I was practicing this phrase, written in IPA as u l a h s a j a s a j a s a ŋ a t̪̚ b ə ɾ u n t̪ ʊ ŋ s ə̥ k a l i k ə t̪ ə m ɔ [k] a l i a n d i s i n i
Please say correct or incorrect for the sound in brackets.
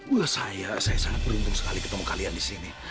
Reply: correct